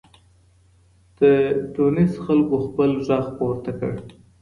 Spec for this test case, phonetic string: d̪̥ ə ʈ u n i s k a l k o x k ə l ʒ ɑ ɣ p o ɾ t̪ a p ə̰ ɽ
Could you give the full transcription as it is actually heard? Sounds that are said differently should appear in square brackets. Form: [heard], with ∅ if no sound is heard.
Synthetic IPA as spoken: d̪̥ ə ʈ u n i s [x] a l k o x [p] ə l ʒ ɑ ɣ p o ɾ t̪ a [k] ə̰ ɽ

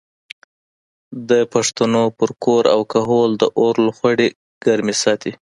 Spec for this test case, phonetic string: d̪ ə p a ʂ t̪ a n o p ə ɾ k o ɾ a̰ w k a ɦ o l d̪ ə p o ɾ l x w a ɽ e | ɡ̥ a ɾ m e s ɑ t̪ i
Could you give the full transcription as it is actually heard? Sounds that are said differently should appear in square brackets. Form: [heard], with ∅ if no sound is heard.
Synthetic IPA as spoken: d̪ ə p a ʂ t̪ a n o p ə ɾ k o ɾ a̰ w k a ɦ o l d̪ ə [ʔ] o ɾ l x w a ɽ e | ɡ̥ a ɾ m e s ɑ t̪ i

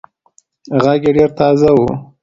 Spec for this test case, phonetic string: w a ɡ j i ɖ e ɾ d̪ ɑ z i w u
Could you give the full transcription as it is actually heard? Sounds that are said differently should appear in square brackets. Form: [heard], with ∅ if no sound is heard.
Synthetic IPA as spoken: [ɣ] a ɡ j [e] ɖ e ɾ [t̪] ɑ z [a] w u

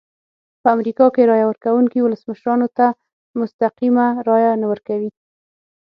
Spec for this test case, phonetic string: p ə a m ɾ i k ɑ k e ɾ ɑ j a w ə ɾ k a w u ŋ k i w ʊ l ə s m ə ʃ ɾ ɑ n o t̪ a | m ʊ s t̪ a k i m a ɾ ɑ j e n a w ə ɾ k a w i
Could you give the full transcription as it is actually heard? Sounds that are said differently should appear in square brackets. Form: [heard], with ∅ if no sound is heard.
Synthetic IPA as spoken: p ə a m ɾ i k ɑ k e ɾ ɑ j a w ə ɾ k a w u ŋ k i w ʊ l ə s m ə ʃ ɾ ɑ n o t̪ a | m ʊ s t̪ a [q] i m a ɾ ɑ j [a] n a w ə ɾ k a w i

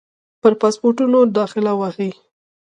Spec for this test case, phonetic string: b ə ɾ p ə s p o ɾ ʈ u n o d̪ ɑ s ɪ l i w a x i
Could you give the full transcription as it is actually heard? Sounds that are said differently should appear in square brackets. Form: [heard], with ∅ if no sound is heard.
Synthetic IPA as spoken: [p] ə ɾ p [ɑ] s p o ɾ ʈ u n o d̪ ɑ [x] ɪ l [a] w a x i

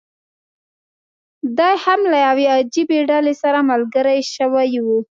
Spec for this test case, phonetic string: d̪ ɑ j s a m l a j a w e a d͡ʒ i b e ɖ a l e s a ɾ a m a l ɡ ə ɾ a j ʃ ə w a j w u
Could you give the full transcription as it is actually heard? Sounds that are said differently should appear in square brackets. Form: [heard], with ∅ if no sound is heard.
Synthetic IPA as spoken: d̪ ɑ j [h] a m l a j a w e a d͡ʒ i b e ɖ a l e s a ɾ a m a l ɡ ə ɾ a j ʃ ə w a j w u

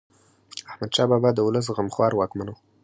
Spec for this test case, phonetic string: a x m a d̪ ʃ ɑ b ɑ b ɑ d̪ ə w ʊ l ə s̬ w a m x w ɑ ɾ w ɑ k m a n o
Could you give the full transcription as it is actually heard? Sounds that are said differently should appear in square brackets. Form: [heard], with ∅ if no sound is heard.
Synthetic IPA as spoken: a [h] m a d̪ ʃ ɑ b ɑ b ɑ d̪ ə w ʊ l ə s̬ [ɣ] a m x w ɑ ɾ w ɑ k m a n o

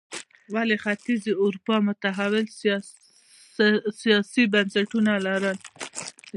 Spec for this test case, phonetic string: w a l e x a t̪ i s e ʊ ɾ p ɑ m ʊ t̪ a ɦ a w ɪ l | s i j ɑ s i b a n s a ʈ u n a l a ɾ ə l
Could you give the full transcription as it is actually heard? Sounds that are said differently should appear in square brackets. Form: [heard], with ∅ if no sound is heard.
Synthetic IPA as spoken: w a l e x a t̪ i [z] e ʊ ɾ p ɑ m ʊ t̪ a ɦ a w ɪ l | s i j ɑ s i b a n s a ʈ u n a l a ɾ ə l

